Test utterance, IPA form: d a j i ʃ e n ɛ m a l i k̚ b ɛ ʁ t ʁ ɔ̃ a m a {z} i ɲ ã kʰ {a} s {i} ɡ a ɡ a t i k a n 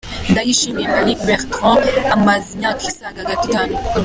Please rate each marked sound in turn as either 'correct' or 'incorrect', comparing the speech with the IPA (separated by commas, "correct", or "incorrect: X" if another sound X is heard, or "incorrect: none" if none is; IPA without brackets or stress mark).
correct, incorrect: i, incorrect: a